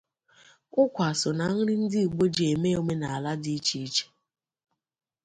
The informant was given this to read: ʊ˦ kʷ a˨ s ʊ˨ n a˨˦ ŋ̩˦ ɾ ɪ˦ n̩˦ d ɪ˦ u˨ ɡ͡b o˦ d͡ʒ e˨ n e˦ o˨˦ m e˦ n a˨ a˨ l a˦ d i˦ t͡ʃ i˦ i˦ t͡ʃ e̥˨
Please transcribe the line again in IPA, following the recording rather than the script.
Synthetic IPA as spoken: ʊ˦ kʷ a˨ s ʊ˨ n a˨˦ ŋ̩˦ ɾ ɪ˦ n̩˦ d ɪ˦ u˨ ɡ͡b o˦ d͡ʒ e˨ m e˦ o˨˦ m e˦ n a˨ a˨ l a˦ d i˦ t͡ʃ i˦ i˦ t͡ʃ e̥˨